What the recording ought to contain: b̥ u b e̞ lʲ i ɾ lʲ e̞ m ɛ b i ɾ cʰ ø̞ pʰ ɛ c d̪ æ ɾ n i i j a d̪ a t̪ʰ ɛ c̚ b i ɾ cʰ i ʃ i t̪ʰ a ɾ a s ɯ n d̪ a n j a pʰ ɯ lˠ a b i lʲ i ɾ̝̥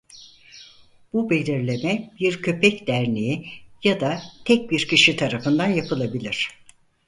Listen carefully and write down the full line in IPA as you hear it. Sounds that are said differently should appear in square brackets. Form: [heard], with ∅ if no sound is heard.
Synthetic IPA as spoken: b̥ u b e̞ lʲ i ɾ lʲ e̞ m ɛ b i ɾ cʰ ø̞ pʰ ɛ c d̪ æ ɾ n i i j a d̪ a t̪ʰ ɛ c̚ b i ɾ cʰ i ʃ i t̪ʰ a ɾ a [f] ɯ n d̪ a n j a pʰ ɯ lˠ a b i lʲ i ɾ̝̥